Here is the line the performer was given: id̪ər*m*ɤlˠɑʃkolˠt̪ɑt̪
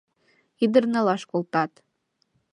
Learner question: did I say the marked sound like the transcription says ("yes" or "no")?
no